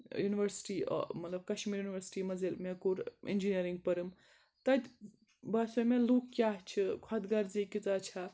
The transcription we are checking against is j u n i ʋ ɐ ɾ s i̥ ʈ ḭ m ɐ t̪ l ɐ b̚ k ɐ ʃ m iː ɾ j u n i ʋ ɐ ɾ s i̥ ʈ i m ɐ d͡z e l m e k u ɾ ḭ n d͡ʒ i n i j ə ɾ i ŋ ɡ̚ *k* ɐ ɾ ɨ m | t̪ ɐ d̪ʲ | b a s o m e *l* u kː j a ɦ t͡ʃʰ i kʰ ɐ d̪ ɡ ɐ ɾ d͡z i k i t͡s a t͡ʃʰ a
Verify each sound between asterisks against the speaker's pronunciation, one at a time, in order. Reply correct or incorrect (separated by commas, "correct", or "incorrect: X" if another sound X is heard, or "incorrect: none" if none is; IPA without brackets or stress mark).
incorrect: p, correct